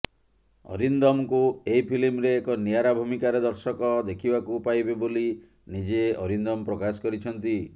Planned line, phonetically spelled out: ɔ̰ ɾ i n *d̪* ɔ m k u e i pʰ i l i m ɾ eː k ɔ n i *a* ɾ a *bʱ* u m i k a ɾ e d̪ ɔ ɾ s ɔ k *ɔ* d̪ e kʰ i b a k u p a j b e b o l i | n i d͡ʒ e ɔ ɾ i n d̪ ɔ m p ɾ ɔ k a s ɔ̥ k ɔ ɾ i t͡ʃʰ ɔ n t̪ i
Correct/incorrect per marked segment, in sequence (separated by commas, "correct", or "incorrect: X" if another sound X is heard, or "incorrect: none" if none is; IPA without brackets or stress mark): correct, correct, correct, correct